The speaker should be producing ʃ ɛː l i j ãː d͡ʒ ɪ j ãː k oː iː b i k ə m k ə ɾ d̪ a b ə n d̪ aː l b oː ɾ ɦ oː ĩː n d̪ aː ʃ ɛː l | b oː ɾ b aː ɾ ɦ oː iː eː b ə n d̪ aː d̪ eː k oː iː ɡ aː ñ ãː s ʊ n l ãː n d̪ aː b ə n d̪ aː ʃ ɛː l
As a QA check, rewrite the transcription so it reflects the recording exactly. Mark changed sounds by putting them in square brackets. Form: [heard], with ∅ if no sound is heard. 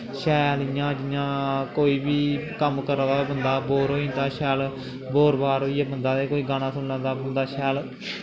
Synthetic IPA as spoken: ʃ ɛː l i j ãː d͡ʒ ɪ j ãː k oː iː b [iː] k ə m k ə ɾ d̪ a b ə n d̪ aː [∅] b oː ɾ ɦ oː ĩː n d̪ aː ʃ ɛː l | b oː ɾ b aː ɾ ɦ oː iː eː b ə n d̪ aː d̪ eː k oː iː ɡ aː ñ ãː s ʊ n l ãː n d̪ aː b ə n d̪ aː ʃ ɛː l